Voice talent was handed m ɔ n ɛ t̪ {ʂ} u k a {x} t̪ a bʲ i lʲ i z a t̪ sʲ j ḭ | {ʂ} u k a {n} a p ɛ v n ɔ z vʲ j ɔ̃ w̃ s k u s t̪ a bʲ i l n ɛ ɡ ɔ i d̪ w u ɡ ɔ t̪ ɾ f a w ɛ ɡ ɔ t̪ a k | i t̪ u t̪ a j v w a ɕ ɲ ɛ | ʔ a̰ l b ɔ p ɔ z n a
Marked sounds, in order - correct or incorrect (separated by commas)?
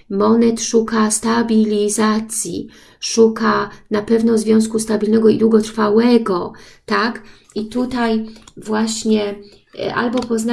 correct, incorrect, correct, correct